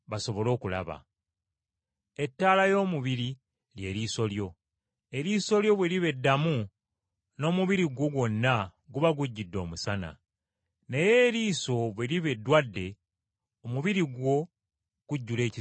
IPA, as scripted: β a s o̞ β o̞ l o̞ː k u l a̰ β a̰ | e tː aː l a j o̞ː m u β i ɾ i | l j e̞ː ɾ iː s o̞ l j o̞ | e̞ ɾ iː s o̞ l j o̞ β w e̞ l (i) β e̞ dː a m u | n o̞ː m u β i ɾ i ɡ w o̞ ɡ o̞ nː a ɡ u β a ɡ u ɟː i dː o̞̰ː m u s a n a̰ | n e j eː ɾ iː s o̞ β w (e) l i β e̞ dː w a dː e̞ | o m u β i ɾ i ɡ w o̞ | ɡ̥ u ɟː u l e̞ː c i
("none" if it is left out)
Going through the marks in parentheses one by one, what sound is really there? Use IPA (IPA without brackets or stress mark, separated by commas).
i, e